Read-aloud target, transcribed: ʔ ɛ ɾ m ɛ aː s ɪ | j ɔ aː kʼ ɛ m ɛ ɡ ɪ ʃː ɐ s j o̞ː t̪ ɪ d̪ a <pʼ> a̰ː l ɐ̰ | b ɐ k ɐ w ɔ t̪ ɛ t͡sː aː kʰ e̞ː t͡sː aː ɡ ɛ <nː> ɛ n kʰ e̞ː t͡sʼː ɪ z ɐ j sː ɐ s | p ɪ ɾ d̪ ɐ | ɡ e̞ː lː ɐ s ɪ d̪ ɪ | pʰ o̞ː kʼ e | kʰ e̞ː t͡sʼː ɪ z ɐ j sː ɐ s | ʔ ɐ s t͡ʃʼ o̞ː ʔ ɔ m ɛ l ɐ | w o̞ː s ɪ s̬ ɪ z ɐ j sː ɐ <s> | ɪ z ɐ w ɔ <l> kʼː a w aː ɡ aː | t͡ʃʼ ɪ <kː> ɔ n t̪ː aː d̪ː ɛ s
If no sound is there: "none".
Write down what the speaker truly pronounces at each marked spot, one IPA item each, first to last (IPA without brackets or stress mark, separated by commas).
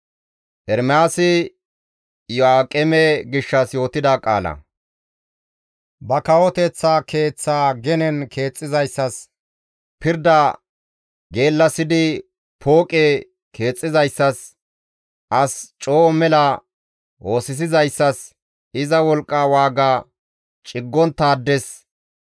kʼ, n, s, l, ɡː